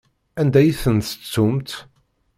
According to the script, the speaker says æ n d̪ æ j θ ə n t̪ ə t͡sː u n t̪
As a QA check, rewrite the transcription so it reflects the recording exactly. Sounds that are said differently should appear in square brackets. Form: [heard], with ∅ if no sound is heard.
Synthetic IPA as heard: æ n d̪ æ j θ ə n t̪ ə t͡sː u [m] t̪